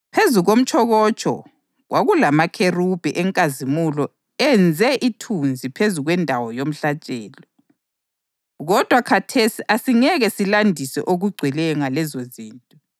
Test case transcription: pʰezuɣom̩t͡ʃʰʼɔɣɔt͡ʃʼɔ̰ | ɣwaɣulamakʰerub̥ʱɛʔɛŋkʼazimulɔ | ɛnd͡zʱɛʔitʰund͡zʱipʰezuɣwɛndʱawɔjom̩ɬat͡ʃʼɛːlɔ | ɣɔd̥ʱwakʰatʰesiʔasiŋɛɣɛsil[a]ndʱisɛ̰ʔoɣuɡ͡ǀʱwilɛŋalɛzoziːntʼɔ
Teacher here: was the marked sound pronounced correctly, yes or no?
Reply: yes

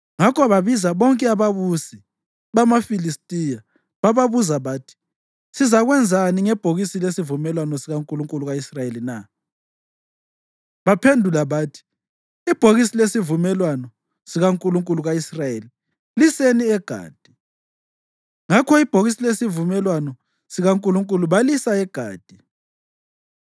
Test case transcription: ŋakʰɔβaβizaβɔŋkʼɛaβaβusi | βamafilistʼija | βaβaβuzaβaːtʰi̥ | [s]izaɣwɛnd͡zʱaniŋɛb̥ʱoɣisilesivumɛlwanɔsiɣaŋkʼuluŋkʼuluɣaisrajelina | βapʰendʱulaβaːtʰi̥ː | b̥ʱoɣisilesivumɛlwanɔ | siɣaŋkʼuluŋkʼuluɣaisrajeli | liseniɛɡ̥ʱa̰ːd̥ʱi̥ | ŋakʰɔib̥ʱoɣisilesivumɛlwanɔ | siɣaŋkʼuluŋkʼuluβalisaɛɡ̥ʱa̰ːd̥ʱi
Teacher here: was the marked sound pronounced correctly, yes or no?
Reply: yes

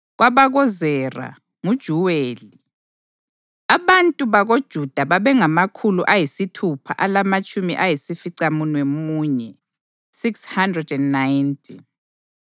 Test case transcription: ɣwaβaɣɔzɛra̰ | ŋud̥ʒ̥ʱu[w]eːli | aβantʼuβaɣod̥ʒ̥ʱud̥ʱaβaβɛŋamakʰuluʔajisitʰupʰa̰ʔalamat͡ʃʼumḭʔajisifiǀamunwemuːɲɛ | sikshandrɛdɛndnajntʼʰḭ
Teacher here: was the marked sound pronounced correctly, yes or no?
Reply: yes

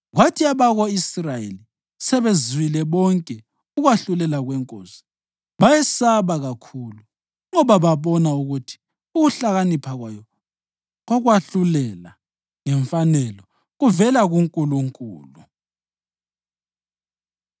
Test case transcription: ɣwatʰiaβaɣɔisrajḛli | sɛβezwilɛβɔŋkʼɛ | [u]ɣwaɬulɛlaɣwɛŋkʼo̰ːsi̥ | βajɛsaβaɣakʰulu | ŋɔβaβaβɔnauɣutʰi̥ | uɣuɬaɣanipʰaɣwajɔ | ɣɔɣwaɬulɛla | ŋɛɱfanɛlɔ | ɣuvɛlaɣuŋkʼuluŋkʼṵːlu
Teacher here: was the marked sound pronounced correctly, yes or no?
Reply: yes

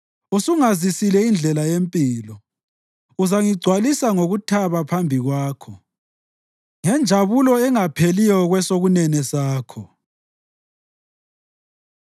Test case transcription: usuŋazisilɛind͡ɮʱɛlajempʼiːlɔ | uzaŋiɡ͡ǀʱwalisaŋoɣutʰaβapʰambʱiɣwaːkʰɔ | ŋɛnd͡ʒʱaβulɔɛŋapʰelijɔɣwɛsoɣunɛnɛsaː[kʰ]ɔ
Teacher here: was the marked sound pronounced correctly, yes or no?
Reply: yes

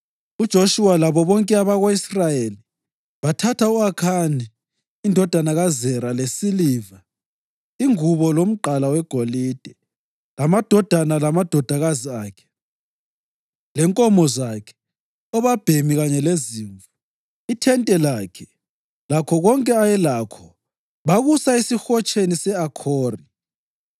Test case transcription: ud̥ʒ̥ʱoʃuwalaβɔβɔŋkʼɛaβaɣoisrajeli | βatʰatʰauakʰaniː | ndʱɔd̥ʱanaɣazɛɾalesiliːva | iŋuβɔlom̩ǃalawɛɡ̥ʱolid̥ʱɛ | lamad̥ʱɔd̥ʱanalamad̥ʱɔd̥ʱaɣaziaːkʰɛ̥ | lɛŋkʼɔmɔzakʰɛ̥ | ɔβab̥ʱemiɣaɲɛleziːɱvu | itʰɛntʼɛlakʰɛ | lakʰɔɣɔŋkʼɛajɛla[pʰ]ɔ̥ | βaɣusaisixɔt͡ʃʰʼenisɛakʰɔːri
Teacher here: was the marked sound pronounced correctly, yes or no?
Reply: no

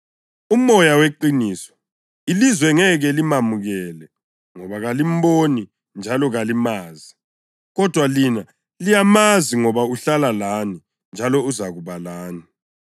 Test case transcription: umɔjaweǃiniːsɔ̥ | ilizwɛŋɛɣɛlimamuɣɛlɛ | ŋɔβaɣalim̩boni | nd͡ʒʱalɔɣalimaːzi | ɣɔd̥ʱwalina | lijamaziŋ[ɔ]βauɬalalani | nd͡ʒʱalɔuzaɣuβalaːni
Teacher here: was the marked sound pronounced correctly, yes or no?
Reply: yes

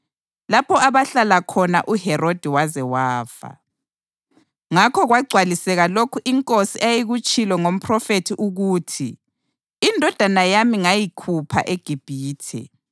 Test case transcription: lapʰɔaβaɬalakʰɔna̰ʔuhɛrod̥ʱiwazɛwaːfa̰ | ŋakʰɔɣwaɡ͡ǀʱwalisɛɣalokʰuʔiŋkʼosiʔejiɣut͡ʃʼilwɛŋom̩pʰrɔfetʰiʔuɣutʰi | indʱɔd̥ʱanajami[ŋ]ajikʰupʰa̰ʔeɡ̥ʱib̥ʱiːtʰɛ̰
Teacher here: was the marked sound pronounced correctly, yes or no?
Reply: yes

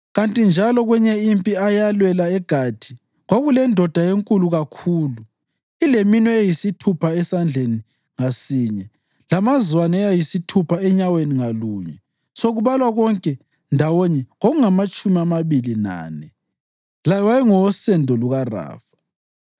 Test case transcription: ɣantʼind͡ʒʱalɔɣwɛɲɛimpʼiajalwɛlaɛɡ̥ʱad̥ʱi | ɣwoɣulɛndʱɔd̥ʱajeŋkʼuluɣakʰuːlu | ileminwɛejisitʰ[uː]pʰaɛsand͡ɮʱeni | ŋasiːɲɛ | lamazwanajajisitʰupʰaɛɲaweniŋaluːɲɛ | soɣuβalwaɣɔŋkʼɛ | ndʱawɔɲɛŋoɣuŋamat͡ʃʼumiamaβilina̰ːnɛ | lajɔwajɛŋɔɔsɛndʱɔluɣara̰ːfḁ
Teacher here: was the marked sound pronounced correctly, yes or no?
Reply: no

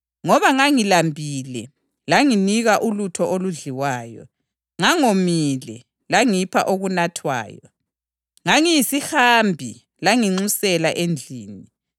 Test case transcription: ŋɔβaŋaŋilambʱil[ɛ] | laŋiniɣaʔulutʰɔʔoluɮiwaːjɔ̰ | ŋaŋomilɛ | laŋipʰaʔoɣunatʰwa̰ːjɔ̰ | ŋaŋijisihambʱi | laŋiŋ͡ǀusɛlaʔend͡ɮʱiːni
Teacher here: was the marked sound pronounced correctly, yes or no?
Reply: yes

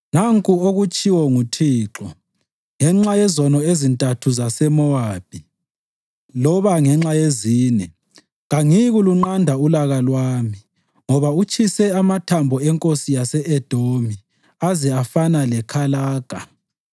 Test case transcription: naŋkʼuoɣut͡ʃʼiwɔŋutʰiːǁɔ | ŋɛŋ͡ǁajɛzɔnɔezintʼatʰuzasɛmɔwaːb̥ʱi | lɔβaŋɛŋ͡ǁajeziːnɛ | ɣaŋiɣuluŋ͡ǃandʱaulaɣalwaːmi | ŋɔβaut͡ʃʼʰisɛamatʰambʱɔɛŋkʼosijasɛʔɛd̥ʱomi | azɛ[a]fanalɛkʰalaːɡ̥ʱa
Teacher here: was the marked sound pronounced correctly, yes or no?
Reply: yes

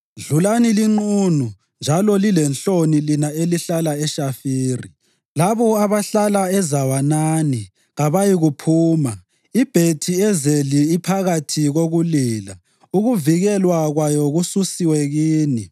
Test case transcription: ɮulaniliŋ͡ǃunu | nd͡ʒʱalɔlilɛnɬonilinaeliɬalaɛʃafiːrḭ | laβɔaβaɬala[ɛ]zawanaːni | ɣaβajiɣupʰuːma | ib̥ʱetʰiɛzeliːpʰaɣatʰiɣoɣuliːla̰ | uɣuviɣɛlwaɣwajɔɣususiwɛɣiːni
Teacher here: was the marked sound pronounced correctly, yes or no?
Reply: yes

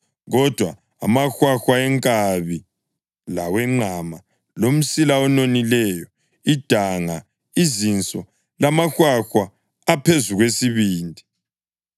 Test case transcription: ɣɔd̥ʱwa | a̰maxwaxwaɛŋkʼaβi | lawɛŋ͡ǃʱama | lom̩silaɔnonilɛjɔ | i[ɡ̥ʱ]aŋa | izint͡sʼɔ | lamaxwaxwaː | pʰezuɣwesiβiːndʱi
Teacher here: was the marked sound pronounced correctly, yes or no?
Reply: no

